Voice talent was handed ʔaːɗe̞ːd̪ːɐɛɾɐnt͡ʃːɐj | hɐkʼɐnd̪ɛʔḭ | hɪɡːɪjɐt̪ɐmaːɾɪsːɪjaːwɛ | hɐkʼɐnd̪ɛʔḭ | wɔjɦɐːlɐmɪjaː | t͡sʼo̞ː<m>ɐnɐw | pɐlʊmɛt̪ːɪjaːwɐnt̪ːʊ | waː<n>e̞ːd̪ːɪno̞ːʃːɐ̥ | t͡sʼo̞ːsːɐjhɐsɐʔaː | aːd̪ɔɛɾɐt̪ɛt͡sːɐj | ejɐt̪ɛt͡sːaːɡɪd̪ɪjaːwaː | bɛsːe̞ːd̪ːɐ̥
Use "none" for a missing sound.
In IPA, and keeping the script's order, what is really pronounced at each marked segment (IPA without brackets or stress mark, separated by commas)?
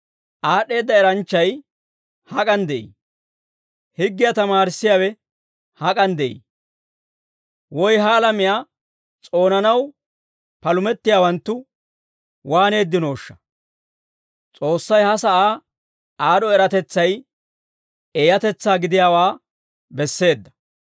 n, n